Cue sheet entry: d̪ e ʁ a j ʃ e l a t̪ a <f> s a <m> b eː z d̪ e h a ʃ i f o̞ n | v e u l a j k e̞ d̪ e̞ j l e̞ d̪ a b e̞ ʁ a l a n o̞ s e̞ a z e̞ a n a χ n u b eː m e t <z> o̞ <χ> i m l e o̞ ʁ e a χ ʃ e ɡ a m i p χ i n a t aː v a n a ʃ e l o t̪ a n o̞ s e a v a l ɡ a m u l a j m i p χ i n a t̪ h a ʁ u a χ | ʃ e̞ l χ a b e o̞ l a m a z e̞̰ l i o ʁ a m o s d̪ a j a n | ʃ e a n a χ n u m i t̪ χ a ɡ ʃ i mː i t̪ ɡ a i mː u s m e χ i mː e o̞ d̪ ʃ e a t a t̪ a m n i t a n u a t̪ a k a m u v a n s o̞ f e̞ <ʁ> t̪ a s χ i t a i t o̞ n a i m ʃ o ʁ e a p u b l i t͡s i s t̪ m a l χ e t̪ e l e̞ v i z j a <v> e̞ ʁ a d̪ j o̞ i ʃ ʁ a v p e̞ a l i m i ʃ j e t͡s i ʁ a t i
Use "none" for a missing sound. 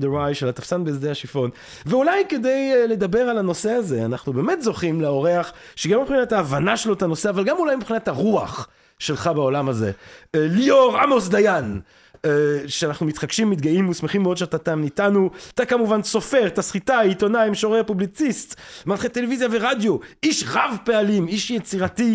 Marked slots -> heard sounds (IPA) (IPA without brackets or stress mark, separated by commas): f, n, z, χ, ʁ, v